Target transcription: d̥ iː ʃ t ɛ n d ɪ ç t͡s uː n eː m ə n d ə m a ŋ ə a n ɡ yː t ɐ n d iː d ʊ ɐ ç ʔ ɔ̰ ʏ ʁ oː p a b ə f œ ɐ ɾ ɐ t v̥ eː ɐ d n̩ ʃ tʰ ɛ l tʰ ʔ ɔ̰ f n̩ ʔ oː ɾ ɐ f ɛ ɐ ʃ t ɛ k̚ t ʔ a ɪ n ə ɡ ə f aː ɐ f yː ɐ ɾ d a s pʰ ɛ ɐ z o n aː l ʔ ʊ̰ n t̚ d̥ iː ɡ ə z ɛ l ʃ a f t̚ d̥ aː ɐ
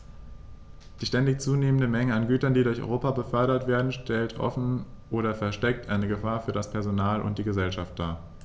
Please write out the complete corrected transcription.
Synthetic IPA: d̥ iː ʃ t ɛ n d ɪ ç t͡s uː n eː m ə n d ə m ɛ ŋ ə a n ɡ yː t ɐ n d iː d ʊ ɐ ç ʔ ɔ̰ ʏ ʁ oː p a b ə f œ ɐ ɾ ɐ t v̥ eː ɐ d n̩ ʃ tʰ ɛ l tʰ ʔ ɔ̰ f n̩ ʔ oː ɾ ɐ f ɛ ɐ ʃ t ɛ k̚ t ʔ a ɪ n ə ɡ ə f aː ɐ f yː ɐ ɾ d a s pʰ ɛ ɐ z o n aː l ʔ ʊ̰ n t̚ d̥ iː ɡ ə z ɛ l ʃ a f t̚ d̥ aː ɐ